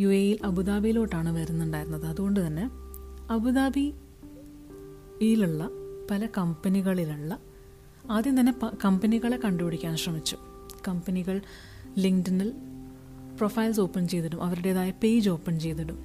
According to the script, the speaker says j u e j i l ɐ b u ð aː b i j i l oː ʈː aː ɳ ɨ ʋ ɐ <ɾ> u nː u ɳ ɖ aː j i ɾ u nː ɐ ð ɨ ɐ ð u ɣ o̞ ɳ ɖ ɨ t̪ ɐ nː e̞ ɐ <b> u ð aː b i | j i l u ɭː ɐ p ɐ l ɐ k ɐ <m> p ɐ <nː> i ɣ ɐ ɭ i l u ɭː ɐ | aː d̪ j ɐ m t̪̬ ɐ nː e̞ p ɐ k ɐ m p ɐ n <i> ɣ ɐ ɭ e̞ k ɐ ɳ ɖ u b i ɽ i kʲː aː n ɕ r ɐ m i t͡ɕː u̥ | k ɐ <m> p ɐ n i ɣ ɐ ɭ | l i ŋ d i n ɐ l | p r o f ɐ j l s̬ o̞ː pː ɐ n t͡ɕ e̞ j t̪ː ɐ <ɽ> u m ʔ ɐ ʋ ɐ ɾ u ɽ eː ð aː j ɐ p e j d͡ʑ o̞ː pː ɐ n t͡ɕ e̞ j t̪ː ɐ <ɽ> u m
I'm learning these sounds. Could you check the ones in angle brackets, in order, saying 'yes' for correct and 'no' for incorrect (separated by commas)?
yes, yes, yes, no, yes, yes, yes, yes